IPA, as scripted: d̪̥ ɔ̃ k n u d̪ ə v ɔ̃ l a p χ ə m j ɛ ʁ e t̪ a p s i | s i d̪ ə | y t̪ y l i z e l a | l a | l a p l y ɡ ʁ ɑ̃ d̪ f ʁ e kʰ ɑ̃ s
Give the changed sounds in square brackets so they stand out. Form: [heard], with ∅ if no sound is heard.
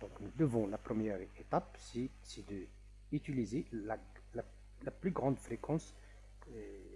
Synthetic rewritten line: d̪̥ ɔ̃ k n u d̪ ə v ɔ̃ l a p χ ə m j ɛ ʁ e t̪ a p s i | s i d̪ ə | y t̪ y l i z e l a | l a | l a p l y ɡ ʁ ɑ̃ d̪ f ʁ e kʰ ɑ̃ s